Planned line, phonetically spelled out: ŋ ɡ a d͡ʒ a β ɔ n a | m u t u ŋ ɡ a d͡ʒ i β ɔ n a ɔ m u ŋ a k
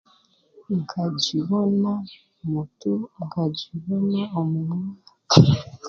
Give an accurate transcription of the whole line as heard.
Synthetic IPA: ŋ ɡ a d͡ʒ i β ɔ n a | m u t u ŋ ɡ a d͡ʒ i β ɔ n a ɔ m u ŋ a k